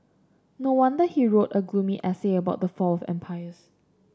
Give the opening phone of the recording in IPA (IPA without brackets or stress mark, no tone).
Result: n